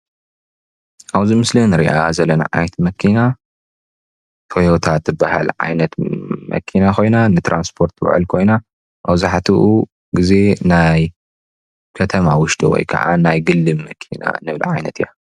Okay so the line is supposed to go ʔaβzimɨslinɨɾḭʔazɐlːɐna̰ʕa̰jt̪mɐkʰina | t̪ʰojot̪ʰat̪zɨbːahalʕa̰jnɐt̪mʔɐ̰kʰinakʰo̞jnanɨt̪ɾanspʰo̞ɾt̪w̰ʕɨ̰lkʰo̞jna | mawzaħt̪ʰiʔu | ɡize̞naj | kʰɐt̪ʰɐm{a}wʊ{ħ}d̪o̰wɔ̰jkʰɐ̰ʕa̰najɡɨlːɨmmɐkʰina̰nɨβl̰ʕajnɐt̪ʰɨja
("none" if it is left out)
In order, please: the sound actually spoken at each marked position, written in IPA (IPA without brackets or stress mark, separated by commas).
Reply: a, ʃ